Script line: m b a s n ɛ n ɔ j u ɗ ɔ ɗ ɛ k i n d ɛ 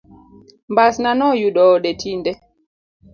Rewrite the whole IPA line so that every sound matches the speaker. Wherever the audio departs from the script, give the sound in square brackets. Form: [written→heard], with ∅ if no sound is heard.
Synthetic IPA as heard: m b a s n [ɛ→a] n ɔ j u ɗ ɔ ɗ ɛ [k→t] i n d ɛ